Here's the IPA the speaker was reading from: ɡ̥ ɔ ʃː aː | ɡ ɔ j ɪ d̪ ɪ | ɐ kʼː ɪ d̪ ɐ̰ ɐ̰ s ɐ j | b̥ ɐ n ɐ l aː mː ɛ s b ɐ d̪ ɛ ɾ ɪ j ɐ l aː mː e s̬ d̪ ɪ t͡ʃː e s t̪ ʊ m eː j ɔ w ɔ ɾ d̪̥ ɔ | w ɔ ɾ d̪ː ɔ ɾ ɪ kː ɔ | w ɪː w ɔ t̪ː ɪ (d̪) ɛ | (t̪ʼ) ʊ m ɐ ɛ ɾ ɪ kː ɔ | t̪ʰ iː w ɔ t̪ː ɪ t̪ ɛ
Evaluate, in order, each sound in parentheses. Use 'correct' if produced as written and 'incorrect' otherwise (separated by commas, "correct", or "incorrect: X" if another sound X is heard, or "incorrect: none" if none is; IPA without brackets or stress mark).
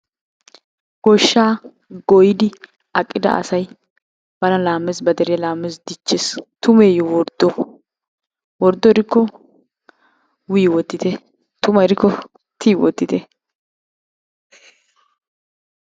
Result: incorrect: t̪, incorrect: t̪